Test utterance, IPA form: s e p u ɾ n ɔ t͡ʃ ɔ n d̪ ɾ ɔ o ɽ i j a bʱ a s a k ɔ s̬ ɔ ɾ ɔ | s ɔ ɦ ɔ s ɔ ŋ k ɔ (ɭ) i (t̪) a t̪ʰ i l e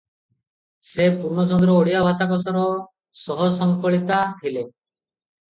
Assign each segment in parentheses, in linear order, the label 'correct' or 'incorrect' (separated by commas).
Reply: correct, correct